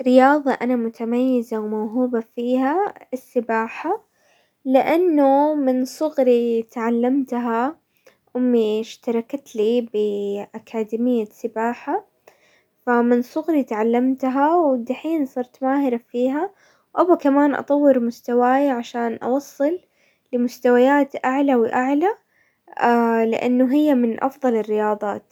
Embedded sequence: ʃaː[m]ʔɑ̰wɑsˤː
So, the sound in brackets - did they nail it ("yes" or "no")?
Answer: no